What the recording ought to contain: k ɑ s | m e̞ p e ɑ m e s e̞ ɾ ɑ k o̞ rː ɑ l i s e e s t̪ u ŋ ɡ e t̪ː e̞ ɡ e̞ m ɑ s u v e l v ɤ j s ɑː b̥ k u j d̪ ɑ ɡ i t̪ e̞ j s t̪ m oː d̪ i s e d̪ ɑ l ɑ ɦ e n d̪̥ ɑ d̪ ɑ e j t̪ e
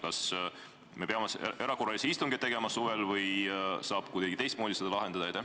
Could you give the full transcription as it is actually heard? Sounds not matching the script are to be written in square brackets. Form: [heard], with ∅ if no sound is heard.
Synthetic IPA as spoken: k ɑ s | m e̞ p e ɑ m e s e̞ ɾ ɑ k o̞ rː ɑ l i s e [i] s t̪ u ŋ ɡ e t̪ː e̞ ɡ e̞ m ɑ s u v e l v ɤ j s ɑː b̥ k u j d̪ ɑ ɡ i t̪ e̞ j s t̪ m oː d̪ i s e d̪ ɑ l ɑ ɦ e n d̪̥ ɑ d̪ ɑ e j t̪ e